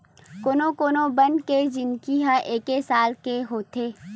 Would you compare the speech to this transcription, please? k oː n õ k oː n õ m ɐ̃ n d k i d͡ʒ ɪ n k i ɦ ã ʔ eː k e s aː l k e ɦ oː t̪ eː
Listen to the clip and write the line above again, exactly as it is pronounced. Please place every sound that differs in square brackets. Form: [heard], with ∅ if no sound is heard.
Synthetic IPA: k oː n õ k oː n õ [b] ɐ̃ n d k [e] d͡ʒ ɪ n k i ɦ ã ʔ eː k e s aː l k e ɦ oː t̪ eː